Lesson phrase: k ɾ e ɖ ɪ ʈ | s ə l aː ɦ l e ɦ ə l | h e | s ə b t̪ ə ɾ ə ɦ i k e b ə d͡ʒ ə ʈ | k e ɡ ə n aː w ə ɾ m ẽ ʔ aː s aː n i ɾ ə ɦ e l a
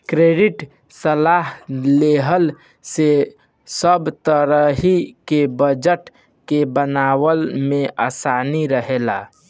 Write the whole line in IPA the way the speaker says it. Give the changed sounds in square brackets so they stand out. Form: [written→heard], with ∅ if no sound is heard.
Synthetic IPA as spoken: k ɾ e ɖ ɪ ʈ | s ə l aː ɦ l e ɦ ə l | [h→s] e | s ə b t̪ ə ɾ ə ɦ i k e b ə d͡ʒ ə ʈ | k e [ɡ→b] ə n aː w ə [ɾ→l] m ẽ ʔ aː s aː n i ɾ ə ɦ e l a